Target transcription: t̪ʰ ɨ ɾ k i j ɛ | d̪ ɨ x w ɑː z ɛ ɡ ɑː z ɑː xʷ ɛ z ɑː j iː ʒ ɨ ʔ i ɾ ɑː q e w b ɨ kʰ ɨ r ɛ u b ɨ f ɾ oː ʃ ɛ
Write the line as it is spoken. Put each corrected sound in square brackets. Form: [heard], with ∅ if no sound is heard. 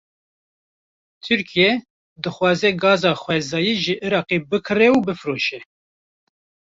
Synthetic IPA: t̪ʰ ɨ ɾ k i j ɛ | d̪ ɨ x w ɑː z ɛ ɡ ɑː z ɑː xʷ ɛ z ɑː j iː ʒ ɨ ʔ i ɾ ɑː q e [∅] b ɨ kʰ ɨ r ɛ u b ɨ f ɾ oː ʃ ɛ